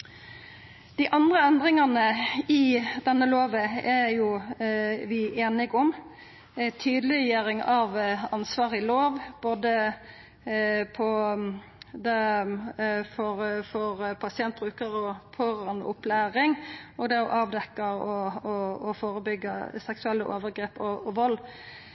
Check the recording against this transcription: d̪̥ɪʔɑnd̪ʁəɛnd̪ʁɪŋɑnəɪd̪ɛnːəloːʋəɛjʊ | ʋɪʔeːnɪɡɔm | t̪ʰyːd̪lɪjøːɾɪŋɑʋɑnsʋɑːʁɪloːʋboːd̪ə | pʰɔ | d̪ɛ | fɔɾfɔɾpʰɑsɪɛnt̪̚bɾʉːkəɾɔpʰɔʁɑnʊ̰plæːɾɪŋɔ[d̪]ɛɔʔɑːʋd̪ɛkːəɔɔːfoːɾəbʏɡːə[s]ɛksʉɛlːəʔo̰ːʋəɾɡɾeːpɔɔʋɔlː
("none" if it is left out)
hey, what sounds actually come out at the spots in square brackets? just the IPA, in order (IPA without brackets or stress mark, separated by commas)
d̪, s